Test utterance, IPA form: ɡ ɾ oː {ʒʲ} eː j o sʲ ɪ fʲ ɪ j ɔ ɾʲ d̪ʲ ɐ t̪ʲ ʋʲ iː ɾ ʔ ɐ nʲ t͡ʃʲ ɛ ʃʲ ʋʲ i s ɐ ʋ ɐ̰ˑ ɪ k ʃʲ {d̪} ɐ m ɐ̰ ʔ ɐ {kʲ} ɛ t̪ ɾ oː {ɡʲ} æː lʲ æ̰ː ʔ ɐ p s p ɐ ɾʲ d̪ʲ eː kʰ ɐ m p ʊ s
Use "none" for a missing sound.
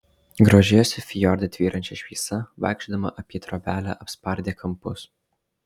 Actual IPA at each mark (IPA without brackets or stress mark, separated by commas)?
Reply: ʒʲ, d̪, pʲ, bʲ